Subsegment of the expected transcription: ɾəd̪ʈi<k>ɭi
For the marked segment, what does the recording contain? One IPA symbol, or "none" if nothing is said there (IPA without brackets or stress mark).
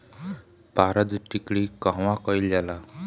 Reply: k